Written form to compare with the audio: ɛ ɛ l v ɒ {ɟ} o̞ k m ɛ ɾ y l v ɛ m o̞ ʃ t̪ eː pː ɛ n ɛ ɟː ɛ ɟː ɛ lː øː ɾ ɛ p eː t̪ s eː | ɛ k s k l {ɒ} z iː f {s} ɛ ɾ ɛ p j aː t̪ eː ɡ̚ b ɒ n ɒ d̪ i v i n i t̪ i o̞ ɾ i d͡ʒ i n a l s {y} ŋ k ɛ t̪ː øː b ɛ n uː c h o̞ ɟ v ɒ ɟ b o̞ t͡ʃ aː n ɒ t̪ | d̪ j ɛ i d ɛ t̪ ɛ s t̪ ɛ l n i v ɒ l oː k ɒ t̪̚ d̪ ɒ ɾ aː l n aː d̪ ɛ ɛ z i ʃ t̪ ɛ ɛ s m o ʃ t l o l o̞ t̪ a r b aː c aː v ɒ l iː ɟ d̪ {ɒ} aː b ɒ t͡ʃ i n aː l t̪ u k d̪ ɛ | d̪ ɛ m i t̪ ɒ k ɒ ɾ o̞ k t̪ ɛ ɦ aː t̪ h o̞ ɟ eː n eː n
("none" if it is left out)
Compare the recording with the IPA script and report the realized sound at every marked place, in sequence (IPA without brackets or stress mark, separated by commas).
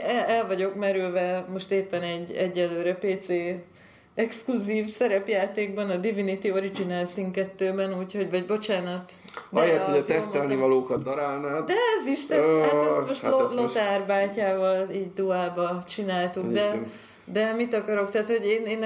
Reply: ɟ, u, s, i, u